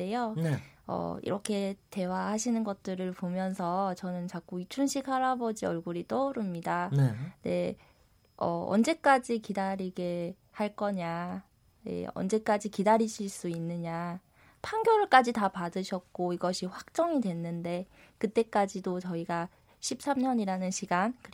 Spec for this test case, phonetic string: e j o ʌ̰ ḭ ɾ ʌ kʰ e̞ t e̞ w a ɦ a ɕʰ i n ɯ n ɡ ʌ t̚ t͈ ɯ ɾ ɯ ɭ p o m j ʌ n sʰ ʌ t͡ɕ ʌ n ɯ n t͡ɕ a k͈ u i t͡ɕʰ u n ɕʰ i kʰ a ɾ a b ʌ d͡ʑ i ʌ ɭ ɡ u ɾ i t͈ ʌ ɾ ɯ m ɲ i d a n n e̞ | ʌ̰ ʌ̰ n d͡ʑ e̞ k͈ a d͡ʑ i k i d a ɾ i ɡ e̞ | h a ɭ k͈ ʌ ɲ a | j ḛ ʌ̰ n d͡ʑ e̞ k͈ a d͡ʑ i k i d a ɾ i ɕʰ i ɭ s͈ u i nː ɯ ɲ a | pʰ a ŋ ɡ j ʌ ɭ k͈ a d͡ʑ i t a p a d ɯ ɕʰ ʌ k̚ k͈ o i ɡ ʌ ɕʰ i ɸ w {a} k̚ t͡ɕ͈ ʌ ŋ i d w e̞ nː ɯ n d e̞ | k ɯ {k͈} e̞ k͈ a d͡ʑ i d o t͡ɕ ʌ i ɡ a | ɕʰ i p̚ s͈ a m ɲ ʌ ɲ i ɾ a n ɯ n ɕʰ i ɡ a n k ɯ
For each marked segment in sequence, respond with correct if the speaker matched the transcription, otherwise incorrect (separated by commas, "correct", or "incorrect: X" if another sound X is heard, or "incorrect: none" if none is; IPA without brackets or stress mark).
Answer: correct, incorrect: t͈